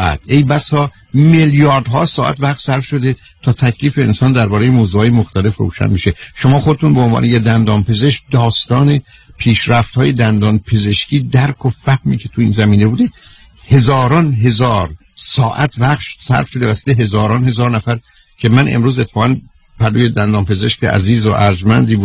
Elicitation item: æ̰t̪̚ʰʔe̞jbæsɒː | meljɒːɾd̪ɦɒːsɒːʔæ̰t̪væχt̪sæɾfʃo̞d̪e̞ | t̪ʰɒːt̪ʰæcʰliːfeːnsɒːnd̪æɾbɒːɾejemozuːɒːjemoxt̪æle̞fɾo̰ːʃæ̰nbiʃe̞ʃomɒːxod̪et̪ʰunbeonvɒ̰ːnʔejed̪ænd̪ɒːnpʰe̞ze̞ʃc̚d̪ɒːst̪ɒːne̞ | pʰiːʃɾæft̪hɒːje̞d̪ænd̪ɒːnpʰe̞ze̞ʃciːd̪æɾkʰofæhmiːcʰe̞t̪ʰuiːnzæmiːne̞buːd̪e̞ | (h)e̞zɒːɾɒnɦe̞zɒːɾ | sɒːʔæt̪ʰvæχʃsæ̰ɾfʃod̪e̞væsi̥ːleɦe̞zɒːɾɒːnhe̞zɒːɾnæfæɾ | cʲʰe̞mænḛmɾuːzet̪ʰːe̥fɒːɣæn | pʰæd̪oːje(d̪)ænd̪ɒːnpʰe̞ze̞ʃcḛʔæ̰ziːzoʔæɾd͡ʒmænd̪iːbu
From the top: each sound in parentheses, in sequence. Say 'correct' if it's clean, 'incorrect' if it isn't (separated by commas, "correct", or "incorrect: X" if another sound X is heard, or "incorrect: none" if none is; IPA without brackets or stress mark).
correct, correct